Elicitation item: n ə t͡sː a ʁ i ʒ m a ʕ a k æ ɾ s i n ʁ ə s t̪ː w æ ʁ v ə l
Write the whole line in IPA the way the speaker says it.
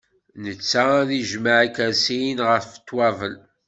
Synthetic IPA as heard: n ə t͡sː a ð i ʒ m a ʕ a k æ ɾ s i n ʁ ə f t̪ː w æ v ə l